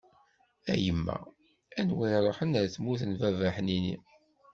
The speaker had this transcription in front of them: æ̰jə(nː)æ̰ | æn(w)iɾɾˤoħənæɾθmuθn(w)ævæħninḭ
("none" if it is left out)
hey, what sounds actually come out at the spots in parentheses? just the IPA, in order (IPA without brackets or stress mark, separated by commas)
mː, w, v